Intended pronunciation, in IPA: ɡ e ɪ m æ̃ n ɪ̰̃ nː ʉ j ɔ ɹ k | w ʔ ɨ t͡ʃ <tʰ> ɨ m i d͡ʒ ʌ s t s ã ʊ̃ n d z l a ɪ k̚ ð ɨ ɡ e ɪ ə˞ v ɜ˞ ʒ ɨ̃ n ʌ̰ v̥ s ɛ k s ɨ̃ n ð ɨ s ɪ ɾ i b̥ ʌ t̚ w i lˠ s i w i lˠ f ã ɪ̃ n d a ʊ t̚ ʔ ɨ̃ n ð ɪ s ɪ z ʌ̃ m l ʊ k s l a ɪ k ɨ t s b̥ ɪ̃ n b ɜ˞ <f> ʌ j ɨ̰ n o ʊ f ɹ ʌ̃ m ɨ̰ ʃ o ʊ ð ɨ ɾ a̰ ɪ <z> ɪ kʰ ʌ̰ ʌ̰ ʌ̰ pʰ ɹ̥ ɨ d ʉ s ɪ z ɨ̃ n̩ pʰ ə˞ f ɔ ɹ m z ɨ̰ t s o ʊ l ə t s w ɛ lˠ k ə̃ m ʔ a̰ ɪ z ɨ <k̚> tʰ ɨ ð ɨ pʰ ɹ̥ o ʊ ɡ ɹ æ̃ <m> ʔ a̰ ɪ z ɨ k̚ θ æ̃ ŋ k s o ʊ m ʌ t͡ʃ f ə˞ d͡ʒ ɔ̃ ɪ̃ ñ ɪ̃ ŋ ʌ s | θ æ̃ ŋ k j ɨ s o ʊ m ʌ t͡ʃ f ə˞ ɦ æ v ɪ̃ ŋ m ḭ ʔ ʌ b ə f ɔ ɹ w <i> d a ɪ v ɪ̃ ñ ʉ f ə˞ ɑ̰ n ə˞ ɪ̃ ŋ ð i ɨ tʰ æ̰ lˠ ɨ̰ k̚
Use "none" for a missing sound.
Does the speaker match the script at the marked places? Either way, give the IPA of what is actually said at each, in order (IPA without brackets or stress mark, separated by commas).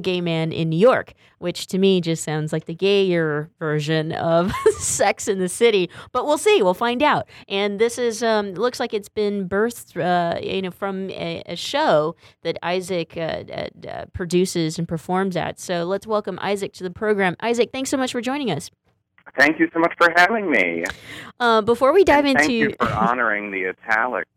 tʰ, θ, z, k̚, m, i